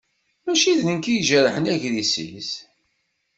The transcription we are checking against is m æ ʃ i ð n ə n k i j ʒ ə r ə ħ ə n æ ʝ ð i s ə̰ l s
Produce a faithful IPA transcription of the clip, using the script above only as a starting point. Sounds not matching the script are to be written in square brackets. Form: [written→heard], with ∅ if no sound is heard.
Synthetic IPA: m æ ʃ i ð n ə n k i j ʒ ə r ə ħ ə n æ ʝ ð i s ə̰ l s

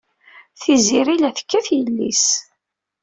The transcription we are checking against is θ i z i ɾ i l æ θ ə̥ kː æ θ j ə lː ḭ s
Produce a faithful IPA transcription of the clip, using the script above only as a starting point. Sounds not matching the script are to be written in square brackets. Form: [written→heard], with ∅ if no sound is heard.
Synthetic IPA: θ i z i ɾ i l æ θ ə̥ kː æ θ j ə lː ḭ s

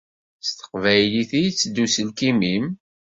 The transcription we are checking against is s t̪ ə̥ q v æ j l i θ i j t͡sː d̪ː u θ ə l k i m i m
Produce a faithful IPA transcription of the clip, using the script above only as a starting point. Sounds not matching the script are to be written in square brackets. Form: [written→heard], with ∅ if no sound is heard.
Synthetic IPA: s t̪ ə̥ q v æ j l i θ i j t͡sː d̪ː u [θ→s] ə l k i m i m

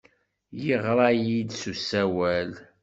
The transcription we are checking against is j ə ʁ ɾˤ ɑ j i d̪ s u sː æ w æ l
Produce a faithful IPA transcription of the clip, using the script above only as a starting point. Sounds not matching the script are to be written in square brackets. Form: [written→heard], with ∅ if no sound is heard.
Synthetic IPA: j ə ʁ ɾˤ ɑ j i d̪ s u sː æ w æ l

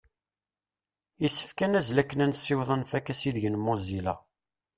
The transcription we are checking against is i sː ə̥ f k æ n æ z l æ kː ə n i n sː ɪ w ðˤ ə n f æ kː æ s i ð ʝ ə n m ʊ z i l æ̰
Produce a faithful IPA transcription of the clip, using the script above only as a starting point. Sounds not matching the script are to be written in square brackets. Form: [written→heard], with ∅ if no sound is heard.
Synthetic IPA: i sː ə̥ f k æ n æ z l æ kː ə n [i→æ] n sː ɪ w ðˤ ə n f æ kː æ s i ð ʝ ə n m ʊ z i l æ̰

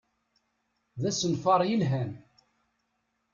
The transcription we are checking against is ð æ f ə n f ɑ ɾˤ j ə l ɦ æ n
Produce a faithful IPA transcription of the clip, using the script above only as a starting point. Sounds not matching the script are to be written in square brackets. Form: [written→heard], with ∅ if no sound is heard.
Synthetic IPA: ð æ [f→s] ə n f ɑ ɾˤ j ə l ɦ æ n

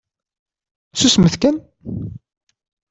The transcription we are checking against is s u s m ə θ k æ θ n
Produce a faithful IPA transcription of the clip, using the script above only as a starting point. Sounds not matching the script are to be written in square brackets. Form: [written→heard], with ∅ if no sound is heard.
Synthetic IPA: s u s m ə θ k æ [θ→∅] n

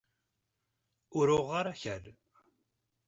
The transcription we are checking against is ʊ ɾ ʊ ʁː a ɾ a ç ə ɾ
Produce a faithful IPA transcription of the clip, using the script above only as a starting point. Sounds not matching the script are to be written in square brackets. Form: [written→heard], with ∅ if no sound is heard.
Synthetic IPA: ʊ ɾ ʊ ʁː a ɾ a ç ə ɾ

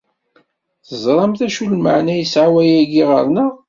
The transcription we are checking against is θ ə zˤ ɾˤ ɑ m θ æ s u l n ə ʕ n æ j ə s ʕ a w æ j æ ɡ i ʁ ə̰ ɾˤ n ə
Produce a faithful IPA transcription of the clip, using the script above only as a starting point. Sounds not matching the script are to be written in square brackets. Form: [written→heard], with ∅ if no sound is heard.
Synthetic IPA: θ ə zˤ ɾˤ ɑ m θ æ [s→ʃ] u l [n→m] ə ʕ n æ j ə s ʕ a w æ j æ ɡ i ʁ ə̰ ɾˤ n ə

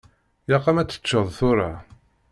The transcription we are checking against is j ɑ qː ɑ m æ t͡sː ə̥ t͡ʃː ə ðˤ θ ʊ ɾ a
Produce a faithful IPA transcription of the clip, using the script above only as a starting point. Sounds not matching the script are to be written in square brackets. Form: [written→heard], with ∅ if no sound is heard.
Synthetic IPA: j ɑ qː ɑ m æ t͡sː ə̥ t͡ʃː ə ðˤ θ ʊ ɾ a

